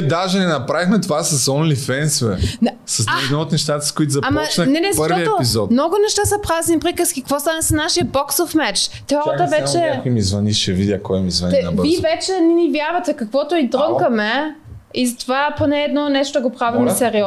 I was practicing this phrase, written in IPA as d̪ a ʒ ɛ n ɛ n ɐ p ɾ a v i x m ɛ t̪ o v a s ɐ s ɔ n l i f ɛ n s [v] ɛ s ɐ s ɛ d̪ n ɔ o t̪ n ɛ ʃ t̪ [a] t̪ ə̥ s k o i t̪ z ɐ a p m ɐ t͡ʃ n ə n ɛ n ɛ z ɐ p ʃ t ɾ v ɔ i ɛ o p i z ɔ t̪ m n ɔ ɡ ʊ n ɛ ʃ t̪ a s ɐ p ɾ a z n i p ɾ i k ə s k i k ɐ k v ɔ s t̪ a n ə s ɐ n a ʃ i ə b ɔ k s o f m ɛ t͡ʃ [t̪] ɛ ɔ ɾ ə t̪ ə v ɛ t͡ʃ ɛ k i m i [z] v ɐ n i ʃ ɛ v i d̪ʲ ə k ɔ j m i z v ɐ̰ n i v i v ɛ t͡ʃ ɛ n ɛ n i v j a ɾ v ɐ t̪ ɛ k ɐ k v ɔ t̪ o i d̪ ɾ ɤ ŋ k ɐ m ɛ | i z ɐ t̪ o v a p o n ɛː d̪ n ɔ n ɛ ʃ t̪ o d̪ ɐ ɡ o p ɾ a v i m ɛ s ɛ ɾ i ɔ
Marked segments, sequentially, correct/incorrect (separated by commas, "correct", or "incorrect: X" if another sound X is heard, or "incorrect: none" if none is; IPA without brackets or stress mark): correct, correct, correct, correct